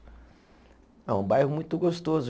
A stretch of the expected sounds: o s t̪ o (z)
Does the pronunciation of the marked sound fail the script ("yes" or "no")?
no